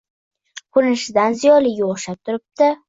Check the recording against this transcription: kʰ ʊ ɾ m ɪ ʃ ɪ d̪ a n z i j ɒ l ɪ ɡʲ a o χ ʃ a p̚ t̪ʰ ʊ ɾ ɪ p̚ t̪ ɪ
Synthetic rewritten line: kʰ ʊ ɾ n ɪ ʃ ɪ d̪ a n z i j ɒ l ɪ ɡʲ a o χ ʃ a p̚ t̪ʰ ʊ ɾ ɪ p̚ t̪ ɪ